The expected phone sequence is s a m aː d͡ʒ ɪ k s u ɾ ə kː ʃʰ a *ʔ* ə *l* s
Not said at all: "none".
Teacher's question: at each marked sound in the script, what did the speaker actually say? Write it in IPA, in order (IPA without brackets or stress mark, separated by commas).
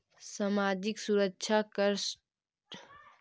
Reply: k, ɾ